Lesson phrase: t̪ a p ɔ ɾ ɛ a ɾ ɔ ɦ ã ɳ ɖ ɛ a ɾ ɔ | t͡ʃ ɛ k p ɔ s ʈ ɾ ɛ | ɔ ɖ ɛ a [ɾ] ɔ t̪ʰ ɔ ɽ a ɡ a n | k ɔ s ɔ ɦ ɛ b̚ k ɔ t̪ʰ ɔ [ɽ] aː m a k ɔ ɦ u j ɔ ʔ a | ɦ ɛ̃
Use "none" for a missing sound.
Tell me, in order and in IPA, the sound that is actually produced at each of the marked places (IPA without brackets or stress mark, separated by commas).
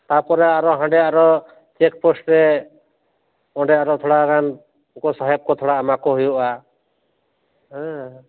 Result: ɾ, ɽ